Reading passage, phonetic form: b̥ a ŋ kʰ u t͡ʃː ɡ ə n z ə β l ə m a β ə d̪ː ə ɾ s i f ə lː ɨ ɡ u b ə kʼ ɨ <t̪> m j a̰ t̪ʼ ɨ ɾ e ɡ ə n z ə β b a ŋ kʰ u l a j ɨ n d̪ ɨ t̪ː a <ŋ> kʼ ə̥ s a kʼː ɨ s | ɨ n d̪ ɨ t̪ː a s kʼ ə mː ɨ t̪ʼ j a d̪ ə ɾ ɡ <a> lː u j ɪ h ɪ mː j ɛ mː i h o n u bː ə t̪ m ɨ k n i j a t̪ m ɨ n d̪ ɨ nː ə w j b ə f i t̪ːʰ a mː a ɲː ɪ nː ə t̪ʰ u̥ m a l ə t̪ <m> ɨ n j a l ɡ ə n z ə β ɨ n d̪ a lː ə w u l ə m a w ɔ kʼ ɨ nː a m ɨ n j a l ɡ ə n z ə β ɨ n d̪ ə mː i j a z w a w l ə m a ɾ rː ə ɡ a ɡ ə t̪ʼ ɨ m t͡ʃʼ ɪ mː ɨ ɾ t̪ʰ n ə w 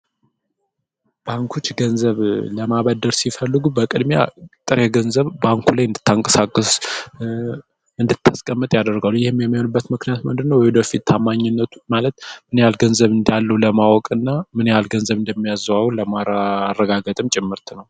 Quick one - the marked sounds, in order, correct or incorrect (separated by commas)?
incorrect, correct, correct, correct